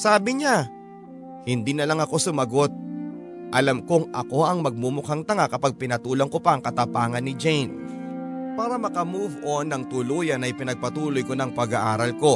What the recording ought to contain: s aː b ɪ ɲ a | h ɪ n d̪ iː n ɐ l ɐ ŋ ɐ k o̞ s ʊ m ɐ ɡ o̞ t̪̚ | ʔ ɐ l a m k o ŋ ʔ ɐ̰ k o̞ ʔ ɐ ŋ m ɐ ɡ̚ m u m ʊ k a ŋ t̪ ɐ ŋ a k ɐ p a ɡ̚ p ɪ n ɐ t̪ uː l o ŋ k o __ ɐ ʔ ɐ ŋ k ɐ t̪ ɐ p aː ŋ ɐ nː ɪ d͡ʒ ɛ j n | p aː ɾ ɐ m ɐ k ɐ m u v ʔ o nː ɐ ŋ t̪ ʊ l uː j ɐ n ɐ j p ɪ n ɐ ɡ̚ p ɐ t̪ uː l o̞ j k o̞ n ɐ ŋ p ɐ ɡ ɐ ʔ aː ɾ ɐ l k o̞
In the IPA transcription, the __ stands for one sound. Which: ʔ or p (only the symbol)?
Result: p